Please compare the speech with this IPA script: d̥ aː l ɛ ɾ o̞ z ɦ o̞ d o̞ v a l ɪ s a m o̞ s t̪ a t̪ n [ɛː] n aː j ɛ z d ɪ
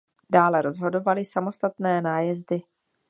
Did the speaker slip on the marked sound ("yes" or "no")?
no